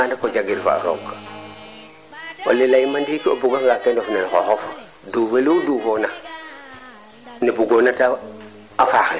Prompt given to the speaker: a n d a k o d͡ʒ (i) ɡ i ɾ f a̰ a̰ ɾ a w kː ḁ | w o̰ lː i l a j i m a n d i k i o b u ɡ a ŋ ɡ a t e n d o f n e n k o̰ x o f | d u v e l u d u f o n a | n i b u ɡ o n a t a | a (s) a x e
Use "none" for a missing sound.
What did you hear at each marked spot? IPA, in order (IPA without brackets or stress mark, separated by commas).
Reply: a, f